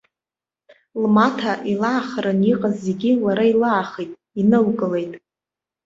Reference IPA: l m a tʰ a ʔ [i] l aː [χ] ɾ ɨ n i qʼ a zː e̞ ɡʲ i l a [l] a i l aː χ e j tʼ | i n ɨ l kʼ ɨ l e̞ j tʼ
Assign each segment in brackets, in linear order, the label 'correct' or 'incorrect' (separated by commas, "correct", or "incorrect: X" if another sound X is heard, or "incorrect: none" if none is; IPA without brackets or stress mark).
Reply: correct, correct, incorrect: ɾ